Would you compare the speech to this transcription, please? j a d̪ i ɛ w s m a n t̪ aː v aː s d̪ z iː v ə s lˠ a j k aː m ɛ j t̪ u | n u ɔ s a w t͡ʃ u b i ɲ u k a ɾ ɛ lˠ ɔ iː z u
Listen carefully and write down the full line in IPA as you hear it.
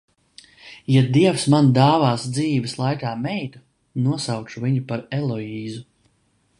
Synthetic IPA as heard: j a d̪ i ɛ w s m a n d̪ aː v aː s d̪ z iː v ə s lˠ a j k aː m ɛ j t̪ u | n u ɔ s a w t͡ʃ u v i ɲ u p a ɾ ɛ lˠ ɔ iː z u

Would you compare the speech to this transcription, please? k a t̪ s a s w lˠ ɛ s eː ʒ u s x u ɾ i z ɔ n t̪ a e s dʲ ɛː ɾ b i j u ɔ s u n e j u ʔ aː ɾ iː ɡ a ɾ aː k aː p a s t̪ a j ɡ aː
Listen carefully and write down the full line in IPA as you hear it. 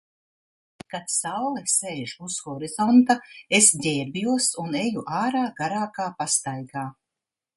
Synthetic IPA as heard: k a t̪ s a w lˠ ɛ s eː ʒ u s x ɔ ɾ i z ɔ n t̪ a e s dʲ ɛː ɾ b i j u ɔ s u n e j u ʔ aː ɾ aː ɡ a ɾ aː k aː p a s t̪ a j ɡ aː

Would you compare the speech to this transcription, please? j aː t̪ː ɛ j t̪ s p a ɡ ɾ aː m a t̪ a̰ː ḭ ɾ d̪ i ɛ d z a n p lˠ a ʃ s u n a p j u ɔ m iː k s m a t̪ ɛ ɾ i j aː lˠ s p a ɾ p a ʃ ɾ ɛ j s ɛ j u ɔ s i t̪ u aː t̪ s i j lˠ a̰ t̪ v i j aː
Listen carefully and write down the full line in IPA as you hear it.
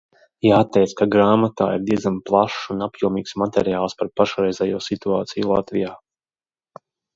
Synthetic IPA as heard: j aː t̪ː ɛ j t̪ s k a ɡ ɾ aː m a t̪ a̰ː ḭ ɾ d̪ i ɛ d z a m p lˠ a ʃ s u n a p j u ɔ m iː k s m a t̪ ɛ ɾ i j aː lˠ s p a ɾ p a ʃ ɾ ɛ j z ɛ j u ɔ s i t̪ u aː t̪ s i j lˠ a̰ t̪ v i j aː

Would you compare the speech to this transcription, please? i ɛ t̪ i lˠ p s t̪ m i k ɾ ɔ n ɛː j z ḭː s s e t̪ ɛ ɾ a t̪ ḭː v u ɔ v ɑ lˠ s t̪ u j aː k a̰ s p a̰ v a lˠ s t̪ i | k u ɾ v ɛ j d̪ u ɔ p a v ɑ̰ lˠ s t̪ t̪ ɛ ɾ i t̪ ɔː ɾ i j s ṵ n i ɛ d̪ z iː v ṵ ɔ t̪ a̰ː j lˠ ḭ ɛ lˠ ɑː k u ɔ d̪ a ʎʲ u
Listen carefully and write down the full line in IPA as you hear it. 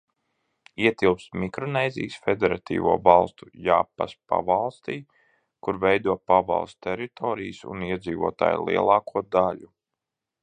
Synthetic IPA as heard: i ɛ t̪ i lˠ p s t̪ m i k ɾ ɔ n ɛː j z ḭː s f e d̪ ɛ ɾ a t̪ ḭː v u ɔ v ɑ lˠ s t̪ u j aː p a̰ s p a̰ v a lˠ s t̪ iː | k u ɾ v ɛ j d̪ u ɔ p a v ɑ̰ lˠ s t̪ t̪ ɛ ɾ i t̪ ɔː ɾ i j s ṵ n i ɛ d̪ z iː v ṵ ɔ t̪ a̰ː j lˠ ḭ ɛ lˠ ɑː k u ɔ d̪ a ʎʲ u

